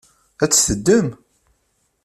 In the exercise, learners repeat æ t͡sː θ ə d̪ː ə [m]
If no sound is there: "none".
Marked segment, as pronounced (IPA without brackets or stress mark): m